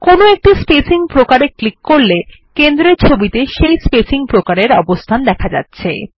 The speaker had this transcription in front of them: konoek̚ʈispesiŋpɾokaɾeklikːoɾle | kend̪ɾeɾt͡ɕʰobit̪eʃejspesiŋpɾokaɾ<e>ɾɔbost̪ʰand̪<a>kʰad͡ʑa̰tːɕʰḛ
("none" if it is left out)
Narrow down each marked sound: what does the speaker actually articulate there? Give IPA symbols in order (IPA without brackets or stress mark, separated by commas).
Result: e, ɛ